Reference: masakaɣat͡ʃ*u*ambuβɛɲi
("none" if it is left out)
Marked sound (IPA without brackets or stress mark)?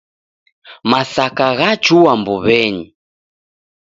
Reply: u